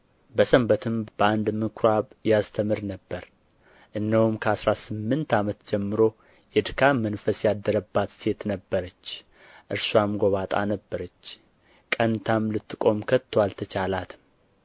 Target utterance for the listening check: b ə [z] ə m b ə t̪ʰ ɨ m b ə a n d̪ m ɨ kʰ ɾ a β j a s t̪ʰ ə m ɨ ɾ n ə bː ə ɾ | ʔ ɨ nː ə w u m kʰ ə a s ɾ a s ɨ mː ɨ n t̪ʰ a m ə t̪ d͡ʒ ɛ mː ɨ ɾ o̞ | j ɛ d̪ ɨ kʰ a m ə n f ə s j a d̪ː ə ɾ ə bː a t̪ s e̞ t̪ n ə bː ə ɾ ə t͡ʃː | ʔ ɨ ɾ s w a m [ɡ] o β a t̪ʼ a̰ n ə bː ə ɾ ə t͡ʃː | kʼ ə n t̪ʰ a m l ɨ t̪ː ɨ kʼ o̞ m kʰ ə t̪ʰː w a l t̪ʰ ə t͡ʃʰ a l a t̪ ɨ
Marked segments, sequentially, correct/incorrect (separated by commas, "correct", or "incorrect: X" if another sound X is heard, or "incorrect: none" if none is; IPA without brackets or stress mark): incorrect: s, correct